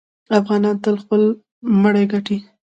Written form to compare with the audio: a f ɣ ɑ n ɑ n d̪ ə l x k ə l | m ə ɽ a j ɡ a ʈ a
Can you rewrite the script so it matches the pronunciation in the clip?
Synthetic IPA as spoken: a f ɣ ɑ n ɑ n t̪ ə l x p ə l | m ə ɽ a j ɡ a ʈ i